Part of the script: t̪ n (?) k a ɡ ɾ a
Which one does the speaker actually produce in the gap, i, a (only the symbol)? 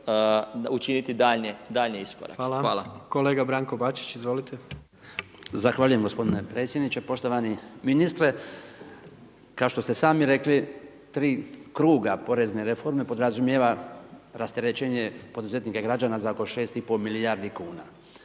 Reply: i